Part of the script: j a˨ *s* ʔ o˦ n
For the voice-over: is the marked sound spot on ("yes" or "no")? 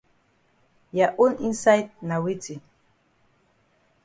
no